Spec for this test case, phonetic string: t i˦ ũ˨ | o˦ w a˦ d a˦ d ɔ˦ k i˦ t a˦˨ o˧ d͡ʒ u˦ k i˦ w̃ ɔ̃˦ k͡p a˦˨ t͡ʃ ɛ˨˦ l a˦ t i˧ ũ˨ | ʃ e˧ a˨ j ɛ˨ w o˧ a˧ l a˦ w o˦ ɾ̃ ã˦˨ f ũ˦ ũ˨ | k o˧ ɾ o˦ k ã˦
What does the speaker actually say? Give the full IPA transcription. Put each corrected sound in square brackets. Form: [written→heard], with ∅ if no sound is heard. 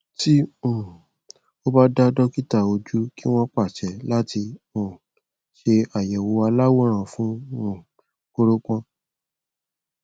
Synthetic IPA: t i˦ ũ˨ | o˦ [w→b] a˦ d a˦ d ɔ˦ k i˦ t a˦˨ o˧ d͡ʒ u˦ k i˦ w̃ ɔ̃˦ k͡p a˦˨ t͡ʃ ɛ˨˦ l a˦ t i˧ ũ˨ | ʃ e˧ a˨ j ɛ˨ w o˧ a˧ l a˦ w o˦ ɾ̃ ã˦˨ f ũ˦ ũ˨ | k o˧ ɾ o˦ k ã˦